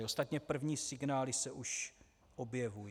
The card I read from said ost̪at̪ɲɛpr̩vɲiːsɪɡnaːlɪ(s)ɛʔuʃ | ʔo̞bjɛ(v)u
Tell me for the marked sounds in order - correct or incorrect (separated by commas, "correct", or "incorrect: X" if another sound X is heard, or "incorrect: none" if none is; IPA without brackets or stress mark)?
correct, correct